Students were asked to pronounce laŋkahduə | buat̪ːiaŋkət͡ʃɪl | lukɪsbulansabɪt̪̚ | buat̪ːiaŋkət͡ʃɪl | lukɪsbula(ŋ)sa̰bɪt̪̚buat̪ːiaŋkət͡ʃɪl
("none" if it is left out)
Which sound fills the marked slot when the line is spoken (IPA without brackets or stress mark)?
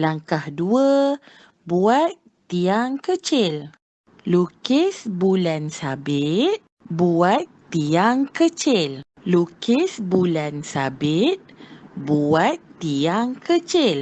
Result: n